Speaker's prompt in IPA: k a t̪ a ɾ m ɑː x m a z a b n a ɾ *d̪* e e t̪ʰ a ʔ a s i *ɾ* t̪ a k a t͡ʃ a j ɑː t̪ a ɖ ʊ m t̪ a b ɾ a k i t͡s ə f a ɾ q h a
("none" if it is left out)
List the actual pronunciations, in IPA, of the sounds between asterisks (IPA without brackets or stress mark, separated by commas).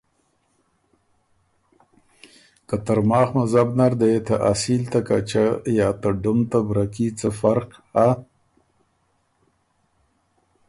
d̪, l